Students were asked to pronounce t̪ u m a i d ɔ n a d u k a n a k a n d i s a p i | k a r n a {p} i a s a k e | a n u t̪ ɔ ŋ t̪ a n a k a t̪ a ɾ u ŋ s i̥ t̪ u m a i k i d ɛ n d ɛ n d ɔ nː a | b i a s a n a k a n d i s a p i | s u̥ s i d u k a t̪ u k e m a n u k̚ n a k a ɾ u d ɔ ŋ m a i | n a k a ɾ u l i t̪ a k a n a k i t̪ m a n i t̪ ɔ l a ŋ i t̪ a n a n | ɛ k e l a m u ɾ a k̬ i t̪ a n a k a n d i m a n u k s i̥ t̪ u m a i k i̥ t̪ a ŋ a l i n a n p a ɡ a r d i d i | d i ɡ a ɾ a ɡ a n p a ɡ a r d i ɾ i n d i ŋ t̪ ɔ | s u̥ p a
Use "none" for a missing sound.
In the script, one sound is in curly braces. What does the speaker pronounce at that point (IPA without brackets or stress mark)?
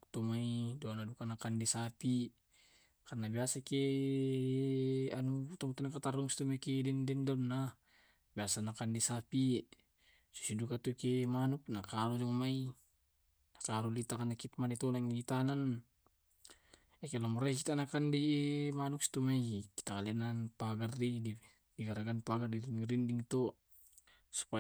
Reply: b